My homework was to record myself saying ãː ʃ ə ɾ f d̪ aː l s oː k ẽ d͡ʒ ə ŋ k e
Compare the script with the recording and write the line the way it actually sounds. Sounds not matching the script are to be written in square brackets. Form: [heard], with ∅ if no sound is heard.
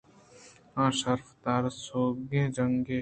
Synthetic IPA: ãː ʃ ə ɾ f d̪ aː [ɾ] s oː [ɡ] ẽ d͡ʒ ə ŋ [ɡ] e